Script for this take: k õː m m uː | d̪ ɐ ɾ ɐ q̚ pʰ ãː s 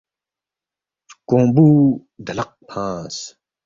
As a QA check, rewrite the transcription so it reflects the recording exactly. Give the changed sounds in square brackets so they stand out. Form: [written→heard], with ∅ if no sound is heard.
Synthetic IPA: k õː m [m→b] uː | d̪ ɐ [ɾ→l] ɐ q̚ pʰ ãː s